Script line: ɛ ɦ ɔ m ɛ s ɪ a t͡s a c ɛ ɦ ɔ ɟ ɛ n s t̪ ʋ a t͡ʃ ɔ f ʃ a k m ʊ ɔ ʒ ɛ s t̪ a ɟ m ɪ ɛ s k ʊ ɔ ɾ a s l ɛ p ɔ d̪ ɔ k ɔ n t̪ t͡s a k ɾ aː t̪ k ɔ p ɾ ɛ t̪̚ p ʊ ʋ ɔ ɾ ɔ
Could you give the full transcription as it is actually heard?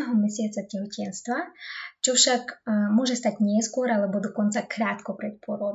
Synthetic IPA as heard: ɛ ɦ ɔ m ɛ s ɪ a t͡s a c ɛ ɦ ɔ c ɛ n s t̪ ʋ a t͡ʃ ɔ f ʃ a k m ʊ ɔ ʒ ɛ s t̪ a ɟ ɲ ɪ ɛ s k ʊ ɔ ɾ a l ɛ b ɔ d̪ ɔ k ɔ n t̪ t͡s a k ɾ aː t̪ k ɔ p ɾ ɛ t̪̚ p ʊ ɔ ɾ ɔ